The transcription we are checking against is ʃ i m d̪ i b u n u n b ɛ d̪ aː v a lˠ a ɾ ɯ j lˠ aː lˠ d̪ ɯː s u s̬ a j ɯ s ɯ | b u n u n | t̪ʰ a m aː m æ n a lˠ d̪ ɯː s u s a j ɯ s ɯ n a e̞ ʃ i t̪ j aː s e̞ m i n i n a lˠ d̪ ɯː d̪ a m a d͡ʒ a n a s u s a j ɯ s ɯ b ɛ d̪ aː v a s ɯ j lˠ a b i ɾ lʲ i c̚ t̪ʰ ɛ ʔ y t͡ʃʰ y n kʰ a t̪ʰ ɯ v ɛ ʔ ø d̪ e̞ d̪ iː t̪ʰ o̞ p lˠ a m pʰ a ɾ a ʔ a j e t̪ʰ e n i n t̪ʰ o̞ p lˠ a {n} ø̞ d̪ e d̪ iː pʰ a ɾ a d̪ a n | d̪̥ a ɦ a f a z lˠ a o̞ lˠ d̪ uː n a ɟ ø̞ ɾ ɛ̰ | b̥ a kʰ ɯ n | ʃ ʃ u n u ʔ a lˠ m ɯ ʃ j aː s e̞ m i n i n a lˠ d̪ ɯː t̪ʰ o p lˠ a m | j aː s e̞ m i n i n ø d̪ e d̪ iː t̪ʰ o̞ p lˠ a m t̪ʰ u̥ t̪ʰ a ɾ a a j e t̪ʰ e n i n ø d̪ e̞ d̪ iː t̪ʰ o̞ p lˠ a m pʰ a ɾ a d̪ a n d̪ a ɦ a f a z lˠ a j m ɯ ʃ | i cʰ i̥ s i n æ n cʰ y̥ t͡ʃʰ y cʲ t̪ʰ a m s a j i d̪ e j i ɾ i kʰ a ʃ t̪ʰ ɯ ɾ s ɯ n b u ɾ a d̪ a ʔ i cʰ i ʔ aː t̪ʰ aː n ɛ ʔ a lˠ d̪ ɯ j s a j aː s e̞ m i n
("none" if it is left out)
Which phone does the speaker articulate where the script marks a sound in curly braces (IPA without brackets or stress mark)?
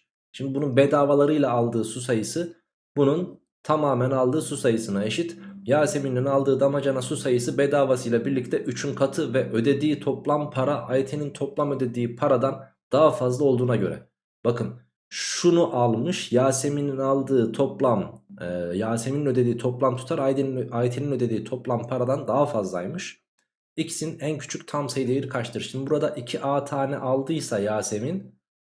m